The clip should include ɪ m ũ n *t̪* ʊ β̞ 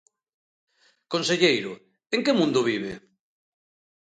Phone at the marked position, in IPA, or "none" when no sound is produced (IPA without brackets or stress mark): d̪